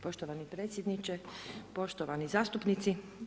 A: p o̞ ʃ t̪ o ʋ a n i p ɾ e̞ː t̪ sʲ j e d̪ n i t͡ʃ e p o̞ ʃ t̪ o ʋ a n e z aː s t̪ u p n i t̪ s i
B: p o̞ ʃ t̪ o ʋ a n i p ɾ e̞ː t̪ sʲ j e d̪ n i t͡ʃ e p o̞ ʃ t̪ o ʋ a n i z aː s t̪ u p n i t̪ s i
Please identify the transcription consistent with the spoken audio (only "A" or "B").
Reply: B